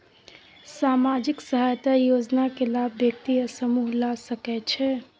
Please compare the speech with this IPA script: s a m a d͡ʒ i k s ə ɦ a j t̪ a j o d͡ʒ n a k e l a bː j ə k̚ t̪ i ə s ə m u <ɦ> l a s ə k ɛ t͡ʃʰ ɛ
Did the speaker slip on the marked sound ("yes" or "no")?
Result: no